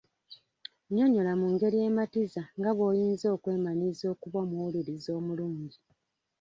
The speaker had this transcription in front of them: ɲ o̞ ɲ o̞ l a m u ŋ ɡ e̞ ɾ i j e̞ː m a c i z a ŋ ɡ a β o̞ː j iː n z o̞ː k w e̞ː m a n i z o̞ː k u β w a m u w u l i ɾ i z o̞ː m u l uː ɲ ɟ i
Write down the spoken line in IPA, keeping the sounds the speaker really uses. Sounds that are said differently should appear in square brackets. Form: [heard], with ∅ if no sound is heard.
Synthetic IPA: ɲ o̞ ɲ o̞ l a m u ŋ ɡ e̞ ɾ i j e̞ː m a [t] i z a ŋ ɡ a β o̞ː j iː n z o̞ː k w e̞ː m a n i z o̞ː k u β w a m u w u l i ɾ i z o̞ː m u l uː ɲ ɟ i